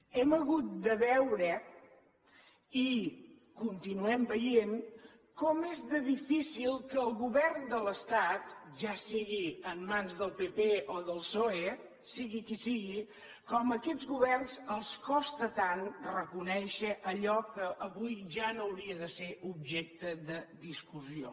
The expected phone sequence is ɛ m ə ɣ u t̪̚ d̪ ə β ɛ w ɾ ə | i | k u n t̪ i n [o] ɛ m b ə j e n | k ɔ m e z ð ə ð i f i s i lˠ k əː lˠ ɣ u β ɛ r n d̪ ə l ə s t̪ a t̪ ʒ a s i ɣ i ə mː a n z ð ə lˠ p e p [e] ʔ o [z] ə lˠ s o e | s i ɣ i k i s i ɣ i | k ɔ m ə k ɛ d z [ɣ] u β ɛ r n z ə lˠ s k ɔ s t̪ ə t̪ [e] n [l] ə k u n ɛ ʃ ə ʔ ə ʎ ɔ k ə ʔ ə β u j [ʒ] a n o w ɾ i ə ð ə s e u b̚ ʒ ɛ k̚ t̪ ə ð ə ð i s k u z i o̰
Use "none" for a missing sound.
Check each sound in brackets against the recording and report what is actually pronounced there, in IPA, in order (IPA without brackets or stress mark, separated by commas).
u, e, ð, ɣ, a, r, ʒ